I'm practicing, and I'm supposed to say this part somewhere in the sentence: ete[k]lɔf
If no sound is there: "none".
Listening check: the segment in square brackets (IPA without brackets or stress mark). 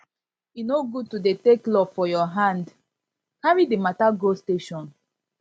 k